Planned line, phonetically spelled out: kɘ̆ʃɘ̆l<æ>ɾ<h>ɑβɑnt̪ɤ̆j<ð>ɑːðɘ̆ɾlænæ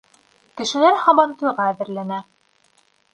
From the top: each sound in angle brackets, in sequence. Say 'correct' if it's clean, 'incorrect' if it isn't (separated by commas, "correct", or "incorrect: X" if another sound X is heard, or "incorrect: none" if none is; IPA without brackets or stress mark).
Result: correct, correct, incorrect: ʁ